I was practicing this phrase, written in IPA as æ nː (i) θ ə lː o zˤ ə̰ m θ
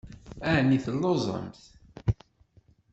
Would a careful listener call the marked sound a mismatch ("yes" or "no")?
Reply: no